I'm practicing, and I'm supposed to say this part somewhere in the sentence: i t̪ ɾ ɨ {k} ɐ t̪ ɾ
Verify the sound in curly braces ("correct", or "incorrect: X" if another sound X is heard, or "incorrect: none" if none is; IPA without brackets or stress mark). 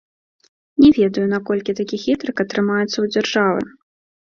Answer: correct